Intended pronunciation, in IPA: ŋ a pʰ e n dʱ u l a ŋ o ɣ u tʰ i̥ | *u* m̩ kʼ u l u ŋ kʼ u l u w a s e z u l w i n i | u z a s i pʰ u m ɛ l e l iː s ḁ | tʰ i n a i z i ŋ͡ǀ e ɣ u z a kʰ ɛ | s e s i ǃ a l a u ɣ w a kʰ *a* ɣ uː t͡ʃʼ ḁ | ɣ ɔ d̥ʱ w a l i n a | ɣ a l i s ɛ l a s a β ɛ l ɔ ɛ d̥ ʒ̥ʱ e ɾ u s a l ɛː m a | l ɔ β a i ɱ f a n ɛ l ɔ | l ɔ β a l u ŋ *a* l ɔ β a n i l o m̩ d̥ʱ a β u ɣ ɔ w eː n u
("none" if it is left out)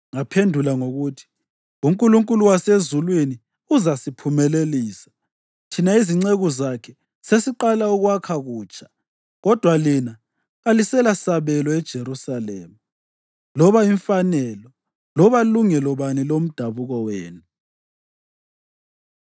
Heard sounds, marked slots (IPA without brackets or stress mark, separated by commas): u, a, ɛ